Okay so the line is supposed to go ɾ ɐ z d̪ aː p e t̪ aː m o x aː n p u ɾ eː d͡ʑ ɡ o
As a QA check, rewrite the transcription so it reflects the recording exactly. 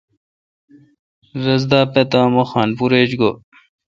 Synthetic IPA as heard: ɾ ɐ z d̪ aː p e t̪ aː m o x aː n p u ɾ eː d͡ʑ ɡ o